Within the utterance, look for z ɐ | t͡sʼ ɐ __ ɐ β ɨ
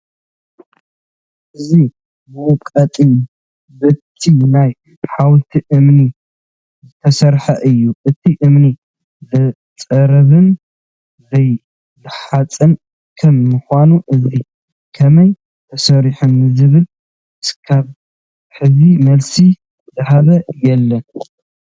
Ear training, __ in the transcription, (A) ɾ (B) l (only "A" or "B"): A